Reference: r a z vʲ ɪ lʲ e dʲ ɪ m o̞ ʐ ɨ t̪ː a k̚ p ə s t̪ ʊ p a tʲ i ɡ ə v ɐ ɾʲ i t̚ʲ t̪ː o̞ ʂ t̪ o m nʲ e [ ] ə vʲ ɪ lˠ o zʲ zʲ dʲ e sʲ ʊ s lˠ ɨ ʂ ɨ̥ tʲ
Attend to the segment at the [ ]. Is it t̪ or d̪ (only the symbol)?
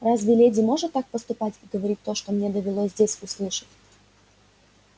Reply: d̪